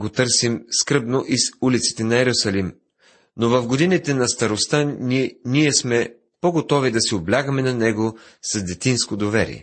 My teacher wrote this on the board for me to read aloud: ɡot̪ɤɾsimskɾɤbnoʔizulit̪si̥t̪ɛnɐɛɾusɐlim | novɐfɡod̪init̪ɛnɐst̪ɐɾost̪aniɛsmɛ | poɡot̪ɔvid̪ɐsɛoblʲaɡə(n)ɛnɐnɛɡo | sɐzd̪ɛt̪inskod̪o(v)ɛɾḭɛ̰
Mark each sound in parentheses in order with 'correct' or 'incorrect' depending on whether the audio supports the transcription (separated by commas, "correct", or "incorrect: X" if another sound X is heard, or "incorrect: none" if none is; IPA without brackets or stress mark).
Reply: incorrect: m, correct